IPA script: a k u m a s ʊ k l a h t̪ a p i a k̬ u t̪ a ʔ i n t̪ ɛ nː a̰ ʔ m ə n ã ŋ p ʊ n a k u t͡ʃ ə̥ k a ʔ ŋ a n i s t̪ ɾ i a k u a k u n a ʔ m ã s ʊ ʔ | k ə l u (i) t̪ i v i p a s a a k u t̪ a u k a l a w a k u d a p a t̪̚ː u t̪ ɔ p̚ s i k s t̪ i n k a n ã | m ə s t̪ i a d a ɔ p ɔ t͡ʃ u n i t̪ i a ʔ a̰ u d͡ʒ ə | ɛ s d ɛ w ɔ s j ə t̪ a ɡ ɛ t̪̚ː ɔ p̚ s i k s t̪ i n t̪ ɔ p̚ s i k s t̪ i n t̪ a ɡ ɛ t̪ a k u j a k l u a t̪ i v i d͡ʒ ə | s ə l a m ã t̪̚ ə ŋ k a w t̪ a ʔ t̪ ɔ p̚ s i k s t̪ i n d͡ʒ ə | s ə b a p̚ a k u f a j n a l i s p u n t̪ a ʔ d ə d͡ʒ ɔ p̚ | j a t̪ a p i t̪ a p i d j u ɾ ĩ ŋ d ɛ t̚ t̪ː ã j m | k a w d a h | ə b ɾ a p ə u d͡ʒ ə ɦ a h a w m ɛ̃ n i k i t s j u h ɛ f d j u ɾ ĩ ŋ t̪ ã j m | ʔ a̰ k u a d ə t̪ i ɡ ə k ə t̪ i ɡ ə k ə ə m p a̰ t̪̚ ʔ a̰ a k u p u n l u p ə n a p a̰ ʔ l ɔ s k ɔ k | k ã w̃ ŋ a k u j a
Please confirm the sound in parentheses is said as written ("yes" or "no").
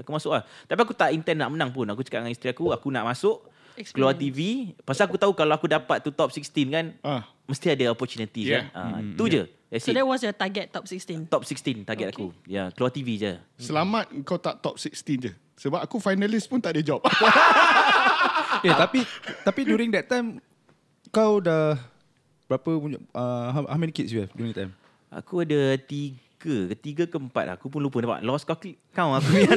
no